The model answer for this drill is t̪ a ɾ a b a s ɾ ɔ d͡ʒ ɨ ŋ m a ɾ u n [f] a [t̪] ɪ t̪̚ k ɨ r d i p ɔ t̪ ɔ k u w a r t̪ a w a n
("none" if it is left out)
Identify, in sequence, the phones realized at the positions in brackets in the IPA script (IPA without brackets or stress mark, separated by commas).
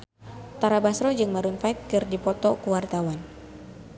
f, none